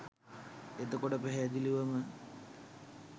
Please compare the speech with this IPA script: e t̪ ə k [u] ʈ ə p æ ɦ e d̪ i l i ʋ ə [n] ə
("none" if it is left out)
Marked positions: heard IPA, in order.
o, m

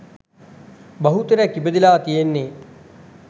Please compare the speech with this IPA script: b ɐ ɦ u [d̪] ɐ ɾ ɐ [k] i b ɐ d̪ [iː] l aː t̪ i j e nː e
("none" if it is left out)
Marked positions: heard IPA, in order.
t̪, k, i

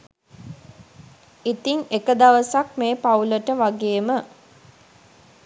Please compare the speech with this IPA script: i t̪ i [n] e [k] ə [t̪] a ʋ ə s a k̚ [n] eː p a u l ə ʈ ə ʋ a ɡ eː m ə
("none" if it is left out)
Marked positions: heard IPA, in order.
ŋ, k, d̪, m

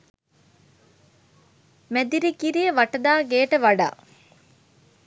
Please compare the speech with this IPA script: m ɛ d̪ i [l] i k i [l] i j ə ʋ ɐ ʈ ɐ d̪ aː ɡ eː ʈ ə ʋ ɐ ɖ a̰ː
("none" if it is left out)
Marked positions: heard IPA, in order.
ɾ, ɾ

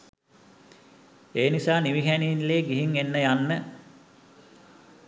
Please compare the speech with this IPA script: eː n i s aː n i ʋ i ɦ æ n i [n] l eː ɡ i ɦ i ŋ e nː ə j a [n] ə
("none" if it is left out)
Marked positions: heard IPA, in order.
n, nː

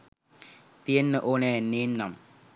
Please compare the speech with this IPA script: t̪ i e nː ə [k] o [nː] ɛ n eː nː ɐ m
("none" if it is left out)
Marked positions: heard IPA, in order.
ʔ, n

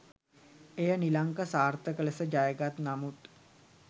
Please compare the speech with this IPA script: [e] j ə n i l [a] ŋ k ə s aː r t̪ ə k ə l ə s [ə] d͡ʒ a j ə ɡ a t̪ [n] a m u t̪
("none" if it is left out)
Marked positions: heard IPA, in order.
e, a, ə, n

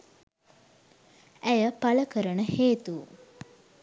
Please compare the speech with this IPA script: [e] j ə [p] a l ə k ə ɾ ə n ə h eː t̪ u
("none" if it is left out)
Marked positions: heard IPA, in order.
æ, p

